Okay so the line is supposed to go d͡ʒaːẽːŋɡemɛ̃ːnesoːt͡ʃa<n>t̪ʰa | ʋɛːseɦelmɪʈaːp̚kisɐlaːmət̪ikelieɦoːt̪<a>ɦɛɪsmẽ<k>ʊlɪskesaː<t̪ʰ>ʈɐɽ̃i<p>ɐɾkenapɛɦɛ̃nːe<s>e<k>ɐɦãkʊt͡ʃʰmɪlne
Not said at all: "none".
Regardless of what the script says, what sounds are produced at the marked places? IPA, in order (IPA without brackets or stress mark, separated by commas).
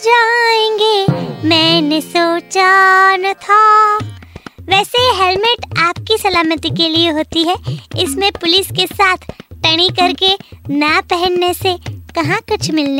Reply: n, i, p, t̪ʰ, k, s, k